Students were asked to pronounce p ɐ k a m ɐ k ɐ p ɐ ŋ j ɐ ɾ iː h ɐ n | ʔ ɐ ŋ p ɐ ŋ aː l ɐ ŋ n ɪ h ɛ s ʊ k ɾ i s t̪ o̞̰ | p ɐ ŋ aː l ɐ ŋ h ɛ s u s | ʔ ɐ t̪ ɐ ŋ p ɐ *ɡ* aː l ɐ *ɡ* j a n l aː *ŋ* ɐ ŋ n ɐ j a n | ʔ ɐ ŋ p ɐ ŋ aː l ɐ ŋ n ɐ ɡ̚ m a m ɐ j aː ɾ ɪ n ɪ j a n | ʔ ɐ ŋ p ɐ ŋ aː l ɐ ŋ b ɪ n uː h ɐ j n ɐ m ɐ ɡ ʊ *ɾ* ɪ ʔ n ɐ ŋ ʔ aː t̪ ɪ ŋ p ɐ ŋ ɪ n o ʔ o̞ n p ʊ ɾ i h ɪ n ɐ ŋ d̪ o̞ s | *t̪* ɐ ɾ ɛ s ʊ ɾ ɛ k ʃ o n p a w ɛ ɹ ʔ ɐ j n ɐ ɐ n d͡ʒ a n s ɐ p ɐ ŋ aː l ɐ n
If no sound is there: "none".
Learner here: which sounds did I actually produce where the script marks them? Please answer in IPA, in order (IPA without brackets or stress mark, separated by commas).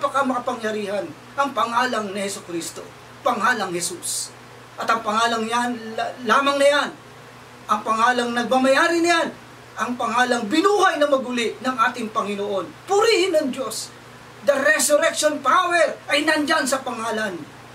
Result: ŋ, ŋ, m, l, d̪